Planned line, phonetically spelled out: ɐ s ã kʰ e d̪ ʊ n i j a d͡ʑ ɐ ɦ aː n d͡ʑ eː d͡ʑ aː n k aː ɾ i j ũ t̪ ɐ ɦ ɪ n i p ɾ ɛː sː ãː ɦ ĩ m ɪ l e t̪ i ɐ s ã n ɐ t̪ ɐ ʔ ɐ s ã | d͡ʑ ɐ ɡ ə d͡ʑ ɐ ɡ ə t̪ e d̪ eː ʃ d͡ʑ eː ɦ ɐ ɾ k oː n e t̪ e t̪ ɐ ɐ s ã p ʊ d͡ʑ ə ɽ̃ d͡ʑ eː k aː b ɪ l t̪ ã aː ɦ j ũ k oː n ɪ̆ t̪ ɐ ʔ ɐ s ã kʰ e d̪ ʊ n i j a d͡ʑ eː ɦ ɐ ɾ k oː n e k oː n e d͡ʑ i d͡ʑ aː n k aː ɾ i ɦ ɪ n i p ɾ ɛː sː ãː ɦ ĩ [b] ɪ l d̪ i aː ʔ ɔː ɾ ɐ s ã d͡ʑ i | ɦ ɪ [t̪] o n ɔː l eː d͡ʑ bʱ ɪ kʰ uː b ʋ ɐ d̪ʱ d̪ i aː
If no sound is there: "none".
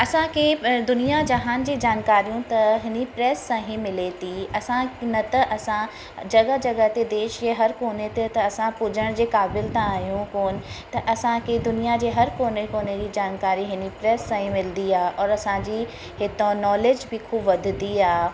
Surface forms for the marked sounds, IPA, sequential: m, t̪

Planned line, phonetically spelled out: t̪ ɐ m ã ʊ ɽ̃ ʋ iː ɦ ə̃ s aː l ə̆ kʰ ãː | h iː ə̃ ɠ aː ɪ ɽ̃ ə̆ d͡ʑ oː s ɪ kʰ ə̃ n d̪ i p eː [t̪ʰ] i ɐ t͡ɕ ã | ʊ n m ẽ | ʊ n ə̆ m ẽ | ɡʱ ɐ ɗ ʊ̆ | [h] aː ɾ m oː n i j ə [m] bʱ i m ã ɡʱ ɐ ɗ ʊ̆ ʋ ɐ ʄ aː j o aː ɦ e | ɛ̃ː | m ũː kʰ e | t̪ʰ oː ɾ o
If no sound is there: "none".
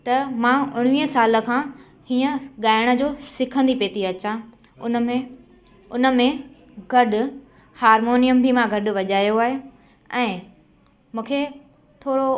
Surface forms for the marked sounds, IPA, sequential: t̪, h, m

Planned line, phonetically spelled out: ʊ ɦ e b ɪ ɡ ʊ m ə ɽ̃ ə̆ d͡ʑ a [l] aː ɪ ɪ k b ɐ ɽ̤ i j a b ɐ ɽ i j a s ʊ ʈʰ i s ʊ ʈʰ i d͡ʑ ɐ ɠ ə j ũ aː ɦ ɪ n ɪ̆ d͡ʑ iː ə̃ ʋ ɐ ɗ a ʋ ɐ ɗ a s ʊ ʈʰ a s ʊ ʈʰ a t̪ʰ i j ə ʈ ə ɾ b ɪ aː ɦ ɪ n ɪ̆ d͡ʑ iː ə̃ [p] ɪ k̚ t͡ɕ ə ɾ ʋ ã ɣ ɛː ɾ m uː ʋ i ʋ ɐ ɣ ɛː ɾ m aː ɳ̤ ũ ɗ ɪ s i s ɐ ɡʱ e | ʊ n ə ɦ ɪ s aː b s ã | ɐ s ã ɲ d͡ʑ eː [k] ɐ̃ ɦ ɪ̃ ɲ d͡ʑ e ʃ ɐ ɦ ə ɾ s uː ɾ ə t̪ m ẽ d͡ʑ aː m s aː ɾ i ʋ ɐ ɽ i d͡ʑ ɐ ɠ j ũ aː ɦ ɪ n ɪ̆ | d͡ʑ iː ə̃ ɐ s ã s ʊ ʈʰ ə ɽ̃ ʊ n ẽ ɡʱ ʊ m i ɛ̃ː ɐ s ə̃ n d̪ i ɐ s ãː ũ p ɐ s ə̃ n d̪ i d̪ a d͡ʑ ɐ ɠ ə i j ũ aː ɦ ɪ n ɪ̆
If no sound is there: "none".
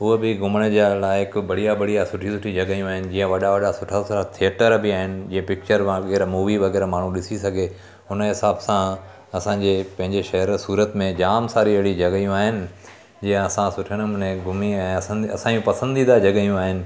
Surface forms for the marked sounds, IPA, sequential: l, p, p

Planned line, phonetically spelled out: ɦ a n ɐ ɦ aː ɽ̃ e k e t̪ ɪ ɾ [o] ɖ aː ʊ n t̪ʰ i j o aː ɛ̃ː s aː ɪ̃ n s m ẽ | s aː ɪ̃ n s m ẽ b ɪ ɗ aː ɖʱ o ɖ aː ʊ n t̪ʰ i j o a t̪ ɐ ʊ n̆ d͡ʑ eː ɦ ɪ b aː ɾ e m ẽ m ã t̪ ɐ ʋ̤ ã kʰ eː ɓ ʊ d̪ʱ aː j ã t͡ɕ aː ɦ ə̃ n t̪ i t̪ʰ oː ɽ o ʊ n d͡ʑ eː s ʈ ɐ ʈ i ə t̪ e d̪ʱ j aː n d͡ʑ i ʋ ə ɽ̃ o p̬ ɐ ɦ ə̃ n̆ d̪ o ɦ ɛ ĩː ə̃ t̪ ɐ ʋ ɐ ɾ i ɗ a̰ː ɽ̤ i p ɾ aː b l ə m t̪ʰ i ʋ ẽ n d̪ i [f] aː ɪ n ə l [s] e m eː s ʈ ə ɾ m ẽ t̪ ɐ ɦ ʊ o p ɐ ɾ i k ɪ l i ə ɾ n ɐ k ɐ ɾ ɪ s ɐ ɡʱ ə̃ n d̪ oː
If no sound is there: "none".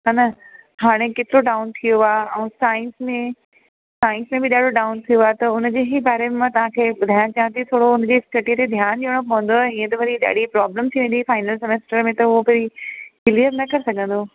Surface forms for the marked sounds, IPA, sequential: o, f, s

